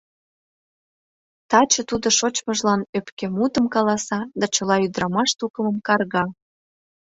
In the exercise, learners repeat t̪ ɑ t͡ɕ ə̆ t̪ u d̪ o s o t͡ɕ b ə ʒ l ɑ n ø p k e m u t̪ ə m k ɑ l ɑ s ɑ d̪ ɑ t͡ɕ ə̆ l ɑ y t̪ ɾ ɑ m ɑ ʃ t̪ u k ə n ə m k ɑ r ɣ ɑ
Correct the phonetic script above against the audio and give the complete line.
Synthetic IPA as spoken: t̪ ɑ t͡ɕ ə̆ t̪ u d̪ o ʃ o t͡ɕ m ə ʒ l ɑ n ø p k e m u t̪ ə m k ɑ l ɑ s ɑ d̪ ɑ t͡ɕ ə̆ l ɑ y d̪ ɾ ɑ m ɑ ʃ t̪ u k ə m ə m k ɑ r ɣ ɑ